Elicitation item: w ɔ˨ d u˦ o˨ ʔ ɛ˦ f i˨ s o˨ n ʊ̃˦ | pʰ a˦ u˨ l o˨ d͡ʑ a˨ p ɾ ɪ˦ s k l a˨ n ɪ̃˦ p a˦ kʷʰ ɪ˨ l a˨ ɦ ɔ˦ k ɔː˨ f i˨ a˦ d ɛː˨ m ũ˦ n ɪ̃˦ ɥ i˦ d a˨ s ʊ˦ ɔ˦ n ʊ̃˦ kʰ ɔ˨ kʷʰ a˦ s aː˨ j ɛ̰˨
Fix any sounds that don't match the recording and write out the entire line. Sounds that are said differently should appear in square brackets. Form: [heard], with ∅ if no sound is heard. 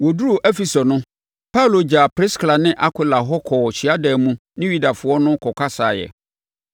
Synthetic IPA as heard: w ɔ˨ d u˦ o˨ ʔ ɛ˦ f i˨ s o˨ n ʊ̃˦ | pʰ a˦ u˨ l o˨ d͡ʑ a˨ p ɾ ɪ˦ s k l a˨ n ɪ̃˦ [ʔ] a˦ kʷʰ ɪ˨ l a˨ ɦ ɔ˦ [kʰ] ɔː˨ [ɕ] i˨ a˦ d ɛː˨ m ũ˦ n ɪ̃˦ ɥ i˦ d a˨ [f] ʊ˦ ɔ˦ n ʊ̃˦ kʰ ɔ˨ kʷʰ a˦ s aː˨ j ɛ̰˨